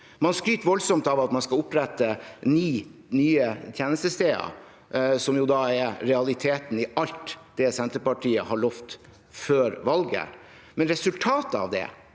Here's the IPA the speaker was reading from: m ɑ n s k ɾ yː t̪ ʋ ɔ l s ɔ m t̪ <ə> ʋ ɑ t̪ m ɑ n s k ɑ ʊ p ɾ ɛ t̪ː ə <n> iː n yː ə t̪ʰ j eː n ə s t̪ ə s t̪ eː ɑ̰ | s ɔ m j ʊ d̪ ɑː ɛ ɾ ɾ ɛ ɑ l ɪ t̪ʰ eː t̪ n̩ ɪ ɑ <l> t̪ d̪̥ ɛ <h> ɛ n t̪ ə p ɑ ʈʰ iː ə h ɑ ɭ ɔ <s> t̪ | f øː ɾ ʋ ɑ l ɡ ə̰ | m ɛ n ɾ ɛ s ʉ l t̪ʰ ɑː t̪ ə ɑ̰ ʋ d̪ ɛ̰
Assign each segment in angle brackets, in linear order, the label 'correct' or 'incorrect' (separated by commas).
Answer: incorrect, correct, correct, incorrect, incorrect